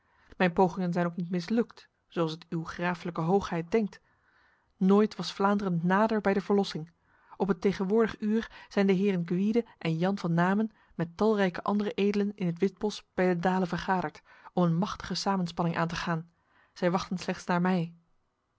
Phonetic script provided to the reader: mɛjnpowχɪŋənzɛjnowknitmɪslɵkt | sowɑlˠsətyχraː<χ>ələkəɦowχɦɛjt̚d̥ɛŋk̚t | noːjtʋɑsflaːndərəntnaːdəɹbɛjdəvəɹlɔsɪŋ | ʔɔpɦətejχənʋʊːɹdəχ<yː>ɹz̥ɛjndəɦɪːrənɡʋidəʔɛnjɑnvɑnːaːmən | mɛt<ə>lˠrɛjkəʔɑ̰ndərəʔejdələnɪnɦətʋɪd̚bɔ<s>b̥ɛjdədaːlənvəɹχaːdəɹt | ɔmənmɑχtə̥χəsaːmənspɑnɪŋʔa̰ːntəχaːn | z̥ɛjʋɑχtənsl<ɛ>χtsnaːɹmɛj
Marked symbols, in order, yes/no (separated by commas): no, yes, no, yes, yes